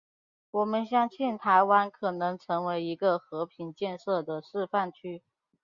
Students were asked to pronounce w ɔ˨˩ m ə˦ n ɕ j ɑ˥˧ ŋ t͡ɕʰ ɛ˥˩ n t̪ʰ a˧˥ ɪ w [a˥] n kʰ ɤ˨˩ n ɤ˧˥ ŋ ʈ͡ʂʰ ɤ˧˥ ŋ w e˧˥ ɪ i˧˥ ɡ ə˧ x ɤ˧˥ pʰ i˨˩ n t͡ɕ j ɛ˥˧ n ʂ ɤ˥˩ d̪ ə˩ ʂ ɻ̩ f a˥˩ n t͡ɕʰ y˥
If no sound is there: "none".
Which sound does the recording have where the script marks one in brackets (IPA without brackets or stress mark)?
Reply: a˥